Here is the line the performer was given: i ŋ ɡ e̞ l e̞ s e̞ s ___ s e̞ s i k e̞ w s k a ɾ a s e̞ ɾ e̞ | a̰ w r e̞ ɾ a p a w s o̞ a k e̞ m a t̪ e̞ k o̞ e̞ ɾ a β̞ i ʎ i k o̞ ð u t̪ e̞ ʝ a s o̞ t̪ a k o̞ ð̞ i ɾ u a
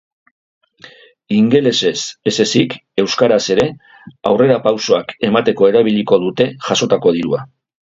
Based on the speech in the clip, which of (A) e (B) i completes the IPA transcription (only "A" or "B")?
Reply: A